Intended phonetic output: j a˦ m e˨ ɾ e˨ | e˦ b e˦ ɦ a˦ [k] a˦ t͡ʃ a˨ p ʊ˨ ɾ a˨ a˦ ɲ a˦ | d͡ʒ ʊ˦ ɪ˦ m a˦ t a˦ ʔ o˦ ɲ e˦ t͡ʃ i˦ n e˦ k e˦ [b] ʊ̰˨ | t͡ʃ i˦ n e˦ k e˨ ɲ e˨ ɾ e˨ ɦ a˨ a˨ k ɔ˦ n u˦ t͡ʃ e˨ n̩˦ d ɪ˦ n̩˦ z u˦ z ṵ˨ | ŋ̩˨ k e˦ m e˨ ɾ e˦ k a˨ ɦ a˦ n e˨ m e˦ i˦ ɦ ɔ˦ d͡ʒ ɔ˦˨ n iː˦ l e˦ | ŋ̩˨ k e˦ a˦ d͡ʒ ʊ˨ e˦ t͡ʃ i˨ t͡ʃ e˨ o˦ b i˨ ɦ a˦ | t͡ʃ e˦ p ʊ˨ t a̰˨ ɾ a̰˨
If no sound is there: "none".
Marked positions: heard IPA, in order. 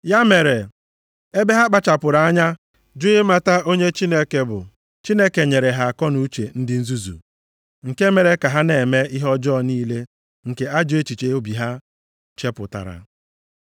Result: k͡p, b

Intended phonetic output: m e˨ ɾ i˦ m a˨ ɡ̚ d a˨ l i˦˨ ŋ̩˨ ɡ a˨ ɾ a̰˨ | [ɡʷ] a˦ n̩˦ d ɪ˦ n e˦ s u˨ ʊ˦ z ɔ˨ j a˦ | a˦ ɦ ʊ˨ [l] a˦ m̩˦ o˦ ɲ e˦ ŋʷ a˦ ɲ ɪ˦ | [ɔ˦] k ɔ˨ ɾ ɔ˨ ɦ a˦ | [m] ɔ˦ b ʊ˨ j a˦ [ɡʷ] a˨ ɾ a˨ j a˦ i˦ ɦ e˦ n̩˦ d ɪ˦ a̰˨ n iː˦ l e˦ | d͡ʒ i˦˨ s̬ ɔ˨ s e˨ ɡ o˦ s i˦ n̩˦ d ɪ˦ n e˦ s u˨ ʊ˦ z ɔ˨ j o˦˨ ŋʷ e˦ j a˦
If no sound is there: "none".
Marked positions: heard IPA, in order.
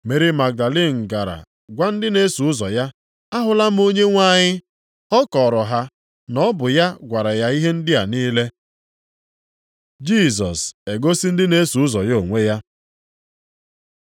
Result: ɡʷ, l, ɔ˦, n, ɡʷ

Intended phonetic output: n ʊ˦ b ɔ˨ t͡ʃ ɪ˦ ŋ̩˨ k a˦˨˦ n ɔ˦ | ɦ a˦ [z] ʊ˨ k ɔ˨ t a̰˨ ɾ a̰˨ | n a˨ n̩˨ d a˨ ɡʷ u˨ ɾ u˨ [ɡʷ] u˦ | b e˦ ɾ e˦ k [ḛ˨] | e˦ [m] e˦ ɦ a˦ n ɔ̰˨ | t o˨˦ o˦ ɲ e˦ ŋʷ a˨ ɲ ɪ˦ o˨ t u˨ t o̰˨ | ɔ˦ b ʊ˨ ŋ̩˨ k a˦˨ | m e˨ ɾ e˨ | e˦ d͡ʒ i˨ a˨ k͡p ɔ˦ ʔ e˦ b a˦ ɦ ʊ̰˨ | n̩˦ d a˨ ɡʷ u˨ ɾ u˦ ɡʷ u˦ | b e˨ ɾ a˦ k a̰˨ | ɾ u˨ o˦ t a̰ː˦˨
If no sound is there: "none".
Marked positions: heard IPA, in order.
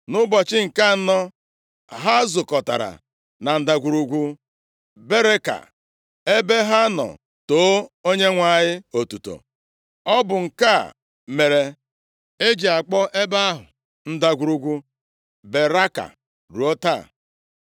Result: z, ɡʷ, a̰˨, b

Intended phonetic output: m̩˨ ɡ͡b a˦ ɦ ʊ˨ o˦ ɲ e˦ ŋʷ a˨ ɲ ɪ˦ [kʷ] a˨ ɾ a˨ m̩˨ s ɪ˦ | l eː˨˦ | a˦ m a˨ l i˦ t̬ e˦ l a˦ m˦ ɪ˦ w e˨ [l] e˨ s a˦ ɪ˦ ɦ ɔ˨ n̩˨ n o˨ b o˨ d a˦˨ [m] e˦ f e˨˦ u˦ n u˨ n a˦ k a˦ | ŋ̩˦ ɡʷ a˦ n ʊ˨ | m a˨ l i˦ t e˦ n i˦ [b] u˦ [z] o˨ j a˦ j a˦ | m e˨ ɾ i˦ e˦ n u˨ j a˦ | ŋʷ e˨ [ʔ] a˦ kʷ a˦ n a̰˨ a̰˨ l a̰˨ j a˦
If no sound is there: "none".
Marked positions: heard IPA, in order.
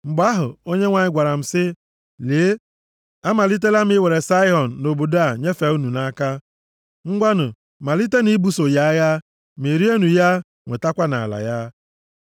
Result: ɡʷ, ɾ, ɲ, b, s, t

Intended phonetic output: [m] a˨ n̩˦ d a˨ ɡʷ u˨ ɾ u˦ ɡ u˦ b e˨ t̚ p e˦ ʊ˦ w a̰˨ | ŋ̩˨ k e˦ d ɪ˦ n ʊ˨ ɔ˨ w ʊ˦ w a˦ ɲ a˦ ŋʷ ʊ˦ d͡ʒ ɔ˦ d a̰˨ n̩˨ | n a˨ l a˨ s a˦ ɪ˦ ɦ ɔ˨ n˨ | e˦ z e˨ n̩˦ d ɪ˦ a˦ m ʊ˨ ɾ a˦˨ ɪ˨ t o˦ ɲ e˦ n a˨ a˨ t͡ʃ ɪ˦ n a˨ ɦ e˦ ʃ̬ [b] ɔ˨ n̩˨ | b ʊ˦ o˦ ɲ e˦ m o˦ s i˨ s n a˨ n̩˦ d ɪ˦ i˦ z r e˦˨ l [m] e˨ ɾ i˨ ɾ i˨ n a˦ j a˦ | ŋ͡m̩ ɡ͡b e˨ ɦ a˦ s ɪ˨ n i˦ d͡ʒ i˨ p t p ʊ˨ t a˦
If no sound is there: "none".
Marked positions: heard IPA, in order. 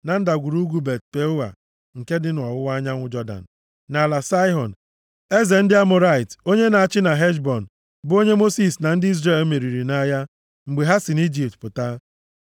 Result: n, b, m

